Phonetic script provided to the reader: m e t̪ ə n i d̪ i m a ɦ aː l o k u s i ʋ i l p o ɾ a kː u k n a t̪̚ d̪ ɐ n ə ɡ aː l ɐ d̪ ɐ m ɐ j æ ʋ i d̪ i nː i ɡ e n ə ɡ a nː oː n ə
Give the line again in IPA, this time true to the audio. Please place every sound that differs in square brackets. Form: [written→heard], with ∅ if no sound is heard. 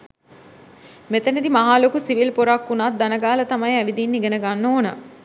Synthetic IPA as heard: m e t̪ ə n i d̪ i m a ɦ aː l o k u s i ʋ i l p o ɾ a kː u [k→∅] n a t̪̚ d̪ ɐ n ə ɡ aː l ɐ [d̪→t̪] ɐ m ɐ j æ ʋ i d̪ i nː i ɡ e n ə ɡ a nː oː n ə